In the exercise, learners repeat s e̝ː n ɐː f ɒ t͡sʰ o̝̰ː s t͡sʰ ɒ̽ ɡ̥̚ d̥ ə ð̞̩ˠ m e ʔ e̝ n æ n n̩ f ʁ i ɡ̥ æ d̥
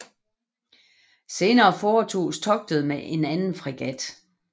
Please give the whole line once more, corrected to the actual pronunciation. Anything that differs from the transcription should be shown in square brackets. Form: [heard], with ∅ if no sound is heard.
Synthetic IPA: s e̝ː n ɐː f [ɒː] t͡sʰ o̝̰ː s t͡sʰ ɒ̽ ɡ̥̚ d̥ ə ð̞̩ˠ m e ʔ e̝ n æ n n̩ f ʁ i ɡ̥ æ d̥